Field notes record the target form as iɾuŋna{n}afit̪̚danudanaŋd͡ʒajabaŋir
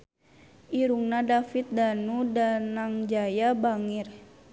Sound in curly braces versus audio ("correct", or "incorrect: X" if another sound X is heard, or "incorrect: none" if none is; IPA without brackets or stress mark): incorrect: d